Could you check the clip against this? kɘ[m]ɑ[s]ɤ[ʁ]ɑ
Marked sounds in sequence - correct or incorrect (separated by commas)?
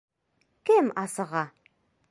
correct, correct, correct